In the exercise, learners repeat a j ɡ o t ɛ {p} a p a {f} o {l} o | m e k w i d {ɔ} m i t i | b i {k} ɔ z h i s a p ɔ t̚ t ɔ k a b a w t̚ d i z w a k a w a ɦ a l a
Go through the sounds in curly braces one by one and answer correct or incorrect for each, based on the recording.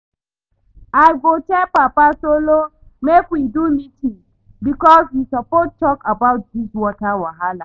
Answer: correct, incorrect, correct, incorrect, correct

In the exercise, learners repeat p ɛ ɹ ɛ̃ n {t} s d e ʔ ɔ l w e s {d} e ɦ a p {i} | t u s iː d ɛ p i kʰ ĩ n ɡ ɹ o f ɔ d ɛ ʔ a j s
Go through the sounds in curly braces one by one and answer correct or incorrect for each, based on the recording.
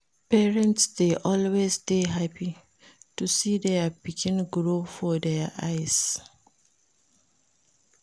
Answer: correct, incorrect, correct

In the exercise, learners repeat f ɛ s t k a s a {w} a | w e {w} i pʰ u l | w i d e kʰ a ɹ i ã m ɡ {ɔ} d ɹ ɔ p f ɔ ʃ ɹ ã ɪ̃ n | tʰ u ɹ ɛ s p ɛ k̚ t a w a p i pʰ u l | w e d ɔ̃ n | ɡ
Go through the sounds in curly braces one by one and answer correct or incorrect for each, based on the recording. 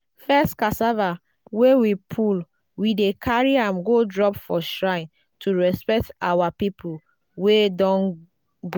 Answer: incorrect, correct, incorrect

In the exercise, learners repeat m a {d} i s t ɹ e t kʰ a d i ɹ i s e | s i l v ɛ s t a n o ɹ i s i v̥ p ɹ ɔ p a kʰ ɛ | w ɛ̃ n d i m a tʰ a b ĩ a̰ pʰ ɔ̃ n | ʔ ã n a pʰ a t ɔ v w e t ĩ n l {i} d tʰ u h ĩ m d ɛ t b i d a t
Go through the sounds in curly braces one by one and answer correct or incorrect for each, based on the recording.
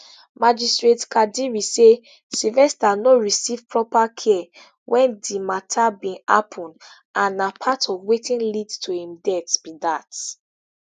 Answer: incorrect, correct

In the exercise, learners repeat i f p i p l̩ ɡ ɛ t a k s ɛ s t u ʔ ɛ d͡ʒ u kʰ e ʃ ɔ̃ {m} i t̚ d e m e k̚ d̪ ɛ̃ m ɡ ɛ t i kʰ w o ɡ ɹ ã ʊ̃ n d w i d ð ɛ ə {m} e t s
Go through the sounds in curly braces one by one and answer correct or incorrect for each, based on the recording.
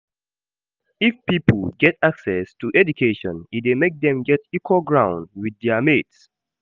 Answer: incorrect, correct

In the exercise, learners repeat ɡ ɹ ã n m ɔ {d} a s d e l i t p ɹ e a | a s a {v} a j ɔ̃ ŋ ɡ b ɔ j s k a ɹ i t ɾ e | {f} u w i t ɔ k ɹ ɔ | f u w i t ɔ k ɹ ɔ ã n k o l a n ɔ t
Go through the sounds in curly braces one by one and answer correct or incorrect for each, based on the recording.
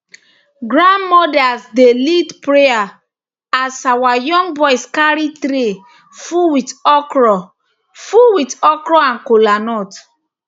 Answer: correct, incorrect, correct

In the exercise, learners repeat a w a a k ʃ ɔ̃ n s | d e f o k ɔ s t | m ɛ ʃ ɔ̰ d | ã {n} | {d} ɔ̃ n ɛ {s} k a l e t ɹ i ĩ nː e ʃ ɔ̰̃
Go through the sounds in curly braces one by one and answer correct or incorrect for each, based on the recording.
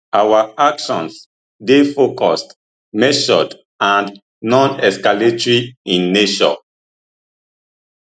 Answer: correct, incorrect, correct

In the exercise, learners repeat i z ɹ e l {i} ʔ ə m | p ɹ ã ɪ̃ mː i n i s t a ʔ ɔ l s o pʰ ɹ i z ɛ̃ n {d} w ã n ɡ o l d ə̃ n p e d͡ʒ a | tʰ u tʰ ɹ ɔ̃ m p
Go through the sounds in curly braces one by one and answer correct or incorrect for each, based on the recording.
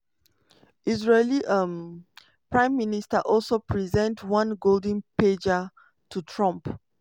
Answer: correct, incorrect

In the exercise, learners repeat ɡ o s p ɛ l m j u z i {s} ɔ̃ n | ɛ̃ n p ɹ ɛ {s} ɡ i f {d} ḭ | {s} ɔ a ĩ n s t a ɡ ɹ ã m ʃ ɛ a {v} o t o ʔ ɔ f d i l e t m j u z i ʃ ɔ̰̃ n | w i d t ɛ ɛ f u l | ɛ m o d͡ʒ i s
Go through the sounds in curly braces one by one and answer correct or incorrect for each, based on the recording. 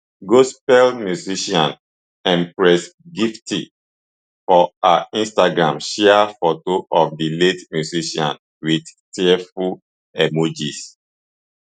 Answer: incorrect, correct, incorrect, incorrect, incorrect

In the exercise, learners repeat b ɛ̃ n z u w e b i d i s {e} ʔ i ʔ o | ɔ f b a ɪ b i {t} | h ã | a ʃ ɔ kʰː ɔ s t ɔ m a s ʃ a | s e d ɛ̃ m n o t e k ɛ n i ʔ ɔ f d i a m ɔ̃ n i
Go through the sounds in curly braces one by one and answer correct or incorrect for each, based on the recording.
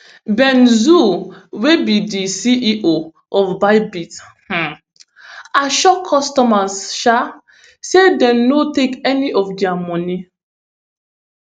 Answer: incorrect, correct

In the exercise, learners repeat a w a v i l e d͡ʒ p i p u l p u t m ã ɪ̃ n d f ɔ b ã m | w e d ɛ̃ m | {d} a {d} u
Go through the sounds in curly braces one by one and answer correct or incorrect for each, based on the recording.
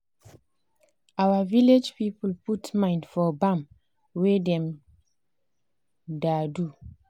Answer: correct, correct

